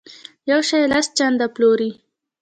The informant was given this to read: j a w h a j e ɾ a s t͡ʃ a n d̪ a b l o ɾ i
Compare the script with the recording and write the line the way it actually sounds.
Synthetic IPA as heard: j a w ʃ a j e l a s t͡ʃ a n d̪ a p l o ɾ i